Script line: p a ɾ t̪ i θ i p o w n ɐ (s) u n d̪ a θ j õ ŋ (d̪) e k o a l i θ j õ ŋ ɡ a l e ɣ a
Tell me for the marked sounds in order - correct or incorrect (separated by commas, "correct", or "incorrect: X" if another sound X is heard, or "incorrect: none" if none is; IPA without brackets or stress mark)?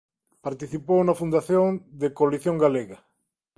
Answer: incorrect: f, correct